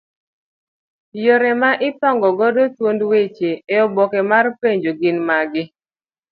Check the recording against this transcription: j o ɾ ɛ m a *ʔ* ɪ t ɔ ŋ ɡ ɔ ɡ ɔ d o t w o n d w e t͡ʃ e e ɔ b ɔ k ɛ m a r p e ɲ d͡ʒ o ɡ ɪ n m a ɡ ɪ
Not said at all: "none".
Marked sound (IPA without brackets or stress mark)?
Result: ʔ